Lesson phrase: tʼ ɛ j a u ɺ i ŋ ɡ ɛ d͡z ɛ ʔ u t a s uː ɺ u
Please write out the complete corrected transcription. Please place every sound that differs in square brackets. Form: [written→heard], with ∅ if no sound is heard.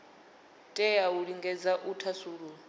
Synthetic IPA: tʼ ɛ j a u ɺ i ŋ ɡ ɛ d͡z [ɛ→a] ʔ u [t→tʰ] a s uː ɺ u